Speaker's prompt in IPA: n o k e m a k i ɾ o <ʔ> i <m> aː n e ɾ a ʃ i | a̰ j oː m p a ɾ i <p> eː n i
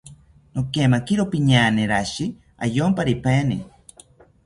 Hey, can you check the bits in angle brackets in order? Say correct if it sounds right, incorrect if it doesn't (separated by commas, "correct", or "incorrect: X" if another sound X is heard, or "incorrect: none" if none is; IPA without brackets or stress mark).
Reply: incorrect: p, incorrect: ɲ, correct